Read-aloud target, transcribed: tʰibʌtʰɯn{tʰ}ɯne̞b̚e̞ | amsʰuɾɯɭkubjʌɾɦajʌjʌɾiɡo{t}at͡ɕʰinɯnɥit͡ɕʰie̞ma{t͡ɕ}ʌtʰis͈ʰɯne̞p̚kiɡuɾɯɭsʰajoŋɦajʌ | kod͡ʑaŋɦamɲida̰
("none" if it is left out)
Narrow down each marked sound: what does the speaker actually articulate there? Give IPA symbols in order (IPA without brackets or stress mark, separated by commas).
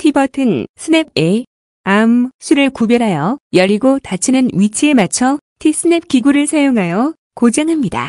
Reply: sʰ, t, t͡ɕʰ